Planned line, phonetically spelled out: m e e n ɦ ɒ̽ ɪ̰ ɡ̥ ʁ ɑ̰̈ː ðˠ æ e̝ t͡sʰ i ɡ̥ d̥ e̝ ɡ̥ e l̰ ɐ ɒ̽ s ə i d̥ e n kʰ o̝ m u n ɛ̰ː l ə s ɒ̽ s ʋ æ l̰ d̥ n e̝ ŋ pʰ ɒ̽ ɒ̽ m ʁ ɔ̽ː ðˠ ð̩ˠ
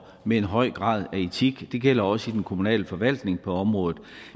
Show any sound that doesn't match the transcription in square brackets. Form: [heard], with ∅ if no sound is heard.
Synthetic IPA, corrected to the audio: m e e n ɦ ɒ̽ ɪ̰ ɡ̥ ʁ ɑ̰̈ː ðˠ æ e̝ t͡sʰ i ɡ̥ d̥ e̝ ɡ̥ e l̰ ɐ ɒ̽ s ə i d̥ e n kʰ o̝ m u n ɛ̰ː l ə [f] ɒ̽ [∅] ʋ æ l̰ d̥ n e̝ ŋ pʰ ɒ̽ ɒ̽ m ʁ ɔ̽ː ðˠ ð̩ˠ